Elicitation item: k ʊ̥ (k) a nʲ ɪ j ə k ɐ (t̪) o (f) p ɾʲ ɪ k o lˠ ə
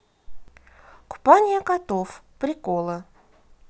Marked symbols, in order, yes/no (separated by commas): no, yes, yes